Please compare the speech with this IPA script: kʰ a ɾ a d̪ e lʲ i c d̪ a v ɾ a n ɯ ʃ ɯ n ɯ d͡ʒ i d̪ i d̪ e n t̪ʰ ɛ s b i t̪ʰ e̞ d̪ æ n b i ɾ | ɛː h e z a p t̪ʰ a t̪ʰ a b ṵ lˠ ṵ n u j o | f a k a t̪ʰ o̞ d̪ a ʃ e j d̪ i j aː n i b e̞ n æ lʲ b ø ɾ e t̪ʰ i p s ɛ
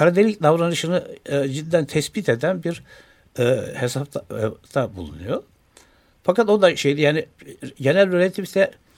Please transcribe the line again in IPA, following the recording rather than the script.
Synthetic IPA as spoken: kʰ a ɾ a d̪ e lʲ i c d̪ a v ɾ a n ɯ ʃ ɯ n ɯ d͡ʒ i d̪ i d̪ æ n t̪ʰ ɛ s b i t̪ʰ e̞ d̪ æ n b i ɾ | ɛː h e s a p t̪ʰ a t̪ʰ a b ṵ lˠ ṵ n u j o | f a k a t̪ o̞ d̪ a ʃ e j d̪ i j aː n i ɟ e̞ n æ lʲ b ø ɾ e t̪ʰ i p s ɛ